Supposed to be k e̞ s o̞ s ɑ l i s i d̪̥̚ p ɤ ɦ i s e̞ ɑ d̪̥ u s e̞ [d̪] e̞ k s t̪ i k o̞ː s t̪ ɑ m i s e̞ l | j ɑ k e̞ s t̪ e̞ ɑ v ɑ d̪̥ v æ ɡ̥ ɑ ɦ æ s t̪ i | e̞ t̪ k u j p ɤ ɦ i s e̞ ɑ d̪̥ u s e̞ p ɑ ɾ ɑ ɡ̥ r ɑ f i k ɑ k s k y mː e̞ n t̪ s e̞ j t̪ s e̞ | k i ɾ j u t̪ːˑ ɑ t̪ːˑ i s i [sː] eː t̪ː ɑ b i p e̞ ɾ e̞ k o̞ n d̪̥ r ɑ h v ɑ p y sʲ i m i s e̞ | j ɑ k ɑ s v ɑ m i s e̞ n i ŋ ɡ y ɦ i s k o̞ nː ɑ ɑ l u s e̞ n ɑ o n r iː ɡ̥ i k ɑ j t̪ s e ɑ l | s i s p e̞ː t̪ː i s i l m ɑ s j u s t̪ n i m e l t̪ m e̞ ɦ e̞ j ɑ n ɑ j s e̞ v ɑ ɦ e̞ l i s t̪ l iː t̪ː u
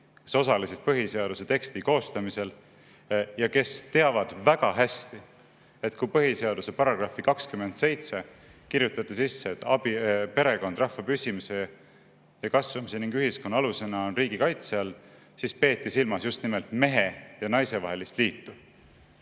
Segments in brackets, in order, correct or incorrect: incorrect, correct

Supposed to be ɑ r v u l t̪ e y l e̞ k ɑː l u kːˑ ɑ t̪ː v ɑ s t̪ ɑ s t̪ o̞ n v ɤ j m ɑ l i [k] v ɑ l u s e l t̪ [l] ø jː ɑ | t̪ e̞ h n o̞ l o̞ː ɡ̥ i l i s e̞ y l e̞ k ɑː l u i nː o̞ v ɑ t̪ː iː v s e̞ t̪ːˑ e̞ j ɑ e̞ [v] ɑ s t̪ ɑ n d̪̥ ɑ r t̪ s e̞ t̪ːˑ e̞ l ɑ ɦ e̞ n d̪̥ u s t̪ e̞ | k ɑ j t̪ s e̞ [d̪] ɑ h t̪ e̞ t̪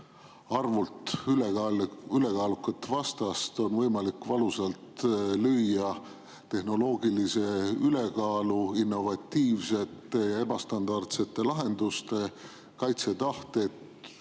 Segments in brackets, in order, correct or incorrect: correct, correct, incorrect, incorrect

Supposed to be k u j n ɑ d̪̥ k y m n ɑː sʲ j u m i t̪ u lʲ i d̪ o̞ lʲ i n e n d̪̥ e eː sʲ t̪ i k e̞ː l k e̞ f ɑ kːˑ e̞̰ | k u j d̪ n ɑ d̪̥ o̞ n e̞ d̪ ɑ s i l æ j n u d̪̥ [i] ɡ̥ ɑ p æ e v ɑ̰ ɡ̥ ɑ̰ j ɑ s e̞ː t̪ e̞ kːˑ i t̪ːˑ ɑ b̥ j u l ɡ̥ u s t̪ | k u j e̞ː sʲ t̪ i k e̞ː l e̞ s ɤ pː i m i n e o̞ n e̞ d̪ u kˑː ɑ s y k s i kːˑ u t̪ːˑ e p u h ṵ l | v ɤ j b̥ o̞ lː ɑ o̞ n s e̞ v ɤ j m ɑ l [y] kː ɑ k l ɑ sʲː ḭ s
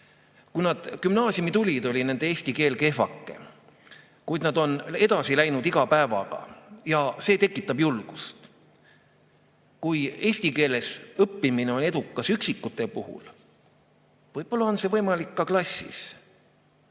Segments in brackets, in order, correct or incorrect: correct, incorrect

